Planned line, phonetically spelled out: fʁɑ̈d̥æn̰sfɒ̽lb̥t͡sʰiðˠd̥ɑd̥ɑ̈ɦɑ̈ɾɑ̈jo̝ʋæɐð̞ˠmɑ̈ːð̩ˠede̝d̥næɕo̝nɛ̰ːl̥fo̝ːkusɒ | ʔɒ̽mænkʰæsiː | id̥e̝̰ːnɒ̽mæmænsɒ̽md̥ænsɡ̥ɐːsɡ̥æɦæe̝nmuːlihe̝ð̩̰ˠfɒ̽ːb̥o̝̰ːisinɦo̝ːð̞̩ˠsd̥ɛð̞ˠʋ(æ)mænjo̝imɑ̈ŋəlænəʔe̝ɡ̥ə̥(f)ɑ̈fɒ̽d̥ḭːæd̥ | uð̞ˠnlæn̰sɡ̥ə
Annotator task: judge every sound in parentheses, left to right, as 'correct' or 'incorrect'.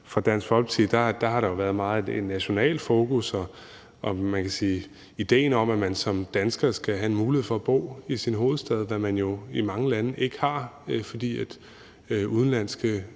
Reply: correct, incorrect: h

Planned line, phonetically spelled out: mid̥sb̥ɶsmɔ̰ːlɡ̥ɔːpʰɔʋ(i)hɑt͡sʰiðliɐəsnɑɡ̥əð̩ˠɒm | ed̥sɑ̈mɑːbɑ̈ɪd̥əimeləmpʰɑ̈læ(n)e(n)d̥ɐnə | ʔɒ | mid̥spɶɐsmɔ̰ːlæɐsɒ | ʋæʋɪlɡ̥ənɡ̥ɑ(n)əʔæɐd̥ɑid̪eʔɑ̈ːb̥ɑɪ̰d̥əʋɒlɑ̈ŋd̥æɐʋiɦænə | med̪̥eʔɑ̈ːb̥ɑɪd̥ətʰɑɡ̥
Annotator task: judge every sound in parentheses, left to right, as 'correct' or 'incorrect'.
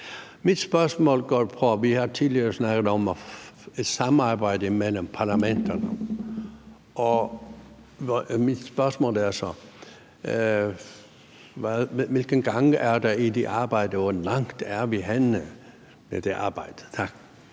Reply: correct, incorrect: m, correct, incorrect: ŋ

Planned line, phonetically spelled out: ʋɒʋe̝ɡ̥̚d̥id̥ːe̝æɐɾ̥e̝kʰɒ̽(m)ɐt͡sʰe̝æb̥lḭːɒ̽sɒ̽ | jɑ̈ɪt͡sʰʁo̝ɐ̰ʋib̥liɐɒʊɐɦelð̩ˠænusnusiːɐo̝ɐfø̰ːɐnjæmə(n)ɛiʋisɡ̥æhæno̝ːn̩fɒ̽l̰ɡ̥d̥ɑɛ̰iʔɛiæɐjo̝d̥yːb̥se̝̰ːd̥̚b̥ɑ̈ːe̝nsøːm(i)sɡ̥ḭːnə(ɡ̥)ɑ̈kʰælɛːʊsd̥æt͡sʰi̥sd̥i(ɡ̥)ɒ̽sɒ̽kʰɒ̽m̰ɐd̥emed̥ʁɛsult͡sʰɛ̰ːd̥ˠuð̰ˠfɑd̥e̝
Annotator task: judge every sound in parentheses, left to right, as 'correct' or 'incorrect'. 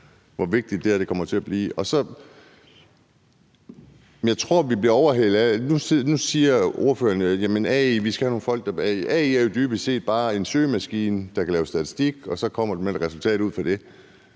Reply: correct, correct, incorrect: æ, incorrect: d̥, correct

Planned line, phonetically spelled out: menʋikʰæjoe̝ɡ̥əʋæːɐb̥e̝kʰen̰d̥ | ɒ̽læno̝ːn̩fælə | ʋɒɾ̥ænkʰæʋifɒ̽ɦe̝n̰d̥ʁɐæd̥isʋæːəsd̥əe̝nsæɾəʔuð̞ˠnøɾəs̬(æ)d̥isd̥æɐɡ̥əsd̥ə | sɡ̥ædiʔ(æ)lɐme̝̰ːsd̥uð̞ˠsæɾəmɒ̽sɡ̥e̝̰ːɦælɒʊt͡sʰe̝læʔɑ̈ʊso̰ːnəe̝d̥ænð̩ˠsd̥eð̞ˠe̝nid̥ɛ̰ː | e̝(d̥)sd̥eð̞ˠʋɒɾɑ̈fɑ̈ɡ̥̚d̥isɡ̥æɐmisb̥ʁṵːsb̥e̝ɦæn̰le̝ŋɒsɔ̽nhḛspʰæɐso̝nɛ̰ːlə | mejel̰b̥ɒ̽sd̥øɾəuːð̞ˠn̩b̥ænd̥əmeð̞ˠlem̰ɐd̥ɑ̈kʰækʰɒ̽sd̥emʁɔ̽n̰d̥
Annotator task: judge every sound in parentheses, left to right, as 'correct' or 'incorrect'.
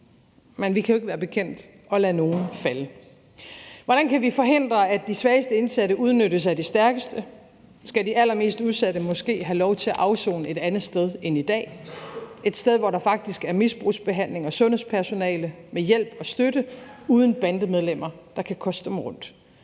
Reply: correct, correct, correct

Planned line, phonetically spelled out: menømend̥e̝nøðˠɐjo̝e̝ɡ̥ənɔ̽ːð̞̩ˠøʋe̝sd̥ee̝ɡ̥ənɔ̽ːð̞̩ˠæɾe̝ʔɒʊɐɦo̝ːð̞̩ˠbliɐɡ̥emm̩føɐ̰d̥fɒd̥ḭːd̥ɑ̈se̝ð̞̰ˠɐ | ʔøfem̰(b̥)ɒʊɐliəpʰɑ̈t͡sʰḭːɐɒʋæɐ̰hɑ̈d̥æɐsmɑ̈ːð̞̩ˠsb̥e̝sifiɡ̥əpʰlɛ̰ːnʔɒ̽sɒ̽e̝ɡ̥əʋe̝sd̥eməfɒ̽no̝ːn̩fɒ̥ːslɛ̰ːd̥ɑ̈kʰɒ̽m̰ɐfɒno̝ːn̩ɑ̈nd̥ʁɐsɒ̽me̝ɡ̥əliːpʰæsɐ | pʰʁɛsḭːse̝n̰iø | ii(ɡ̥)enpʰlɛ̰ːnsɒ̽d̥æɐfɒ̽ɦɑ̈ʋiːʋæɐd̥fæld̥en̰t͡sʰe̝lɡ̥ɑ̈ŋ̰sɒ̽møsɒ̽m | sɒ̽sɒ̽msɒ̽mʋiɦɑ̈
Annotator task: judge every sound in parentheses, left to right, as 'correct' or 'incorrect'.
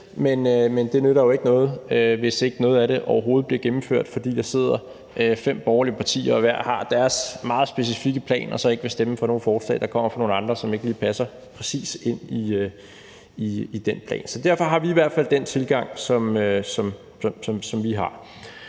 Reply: correct, incorrect: d̥

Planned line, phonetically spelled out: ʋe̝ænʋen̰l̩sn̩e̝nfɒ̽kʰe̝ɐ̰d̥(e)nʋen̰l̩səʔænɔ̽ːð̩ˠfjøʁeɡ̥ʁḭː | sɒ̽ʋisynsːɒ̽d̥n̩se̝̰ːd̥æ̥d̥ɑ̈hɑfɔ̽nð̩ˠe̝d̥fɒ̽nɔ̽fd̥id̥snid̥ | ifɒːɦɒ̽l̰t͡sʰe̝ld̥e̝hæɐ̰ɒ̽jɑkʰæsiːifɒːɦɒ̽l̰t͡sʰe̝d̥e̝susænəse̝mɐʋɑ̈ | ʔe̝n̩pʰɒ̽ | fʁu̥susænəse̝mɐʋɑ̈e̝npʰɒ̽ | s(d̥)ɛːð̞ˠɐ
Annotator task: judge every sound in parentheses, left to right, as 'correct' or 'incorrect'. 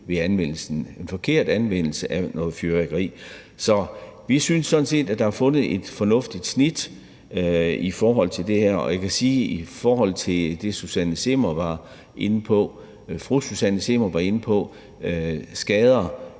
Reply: incorrect: æ, incorrect: ɡ̥

